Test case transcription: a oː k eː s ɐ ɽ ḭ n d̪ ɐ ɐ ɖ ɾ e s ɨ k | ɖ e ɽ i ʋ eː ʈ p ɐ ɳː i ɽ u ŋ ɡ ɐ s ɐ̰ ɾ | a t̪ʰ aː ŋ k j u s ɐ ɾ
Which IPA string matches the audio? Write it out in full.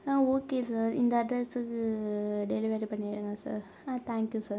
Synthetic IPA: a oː k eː s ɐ ɾ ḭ n d̪ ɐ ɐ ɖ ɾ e s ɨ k | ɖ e l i ʋ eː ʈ p ɐ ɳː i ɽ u ŋ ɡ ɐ s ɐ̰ ɾ | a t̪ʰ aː ŋ k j u s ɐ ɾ